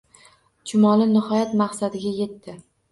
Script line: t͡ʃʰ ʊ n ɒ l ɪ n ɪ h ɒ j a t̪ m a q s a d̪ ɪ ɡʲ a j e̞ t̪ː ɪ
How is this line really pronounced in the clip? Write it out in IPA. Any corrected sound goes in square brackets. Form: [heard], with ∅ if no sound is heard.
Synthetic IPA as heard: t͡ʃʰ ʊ [m] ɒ l ɪ n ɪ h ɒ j a t̪ m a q s a d̪ ɪ ɡʲ a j e̞ t̪ː ɪ